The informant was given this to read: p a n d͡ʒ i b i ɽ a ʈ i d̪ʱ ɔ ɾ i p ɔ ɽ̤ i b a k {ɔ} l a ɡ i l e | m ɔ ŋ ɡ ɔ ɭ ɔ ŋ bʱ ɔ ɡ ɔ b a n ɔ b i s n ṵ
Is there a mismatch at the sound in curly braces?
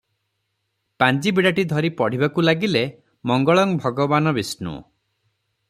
yes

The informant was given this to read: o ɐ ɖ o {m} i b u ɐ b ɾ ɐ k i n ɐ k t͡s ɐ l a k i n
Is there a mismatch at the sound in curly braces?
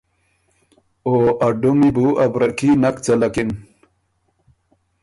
no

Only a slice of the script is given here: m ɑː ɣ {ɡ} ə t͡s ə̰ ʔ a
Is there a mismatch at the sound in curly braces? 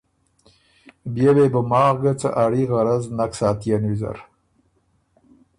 no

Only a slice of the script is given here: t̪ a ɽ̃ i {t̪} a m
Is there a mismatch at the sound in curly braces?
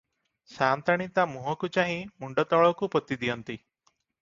no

